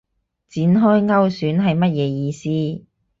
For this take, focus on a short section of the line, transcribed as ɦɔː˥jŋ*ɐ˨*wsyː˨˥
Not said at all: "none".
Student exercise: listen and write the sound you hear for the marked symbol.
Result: ɐ˥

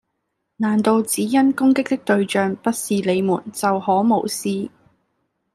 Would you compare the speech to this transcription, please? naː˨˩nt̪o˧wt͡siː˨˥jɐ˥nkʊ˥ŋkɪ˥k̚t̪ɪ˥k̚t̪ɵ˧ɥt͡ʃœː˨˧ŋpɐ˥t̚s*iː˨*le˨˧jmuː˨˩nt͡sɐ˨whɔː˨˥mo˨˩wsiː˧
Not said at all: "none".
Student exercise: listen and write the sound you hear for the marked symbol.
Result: iː˨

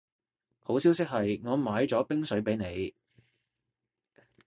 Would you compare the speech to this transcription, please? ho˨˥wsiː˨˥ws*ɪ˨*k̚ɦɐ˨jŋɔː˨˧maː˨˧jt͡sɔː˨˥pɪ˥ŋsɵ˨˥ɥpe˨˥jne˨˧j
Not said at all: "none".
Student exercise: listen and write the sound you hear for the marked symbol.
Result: ɪ˥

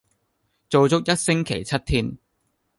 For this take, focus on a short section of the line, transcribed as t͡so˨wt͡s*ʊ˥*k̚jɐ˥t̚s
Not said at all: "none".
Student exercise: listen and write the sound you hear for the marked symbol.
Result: ʊ˥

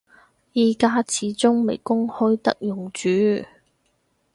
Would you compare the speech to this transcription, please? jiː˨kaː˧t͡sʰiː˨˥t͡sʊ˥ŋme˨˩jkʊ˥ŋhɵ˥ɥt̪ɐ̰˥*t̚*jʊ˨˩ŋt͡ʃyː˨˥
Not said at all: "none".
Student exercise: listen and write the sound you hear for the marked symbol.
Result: k̚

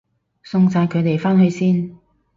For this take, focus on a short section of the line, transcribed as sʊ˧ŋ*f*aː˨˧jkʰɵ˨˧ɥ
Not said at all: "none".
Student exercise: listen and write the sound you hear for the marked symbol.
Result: s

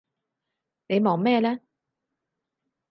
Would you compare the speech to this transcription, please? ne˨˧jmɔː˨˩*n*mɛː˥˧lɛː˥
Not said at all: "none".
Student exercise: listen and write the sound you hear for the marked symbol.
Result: ŋ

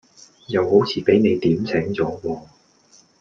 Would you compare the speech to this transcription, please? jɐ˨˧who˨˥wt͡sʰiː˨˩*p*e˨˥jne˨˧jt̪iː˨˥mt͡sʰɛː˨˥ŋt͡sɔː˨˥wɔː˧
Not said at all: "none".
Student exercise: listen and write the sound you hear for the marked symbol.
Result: p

